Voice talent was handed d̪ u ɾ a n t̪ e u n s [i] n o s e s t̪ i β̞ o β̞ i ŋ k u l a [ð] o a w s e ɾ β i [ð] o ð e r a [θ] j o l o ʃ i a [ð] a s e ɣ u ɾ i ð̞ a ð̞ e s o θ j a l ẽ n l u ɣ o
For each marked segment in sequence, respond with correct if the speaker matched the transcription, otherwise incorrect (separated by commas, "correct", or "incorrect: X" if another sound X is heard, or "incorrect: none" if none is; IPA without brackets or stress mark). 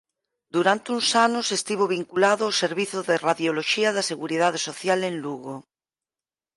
incorrect: a, correct, incorrect: θ, incorrect: ð, correct